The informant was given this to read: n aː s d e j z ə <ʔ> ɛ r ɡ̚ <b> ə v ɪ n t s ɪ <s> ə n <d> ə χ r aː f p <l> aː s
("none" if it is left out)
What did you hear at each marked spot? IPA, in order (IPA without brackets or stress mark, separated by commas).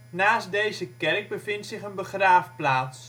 k, b, χ, b, l